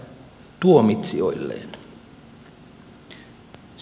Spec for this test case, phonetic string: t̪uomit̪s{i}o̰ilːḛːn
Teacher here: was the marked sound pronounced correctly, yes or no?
yes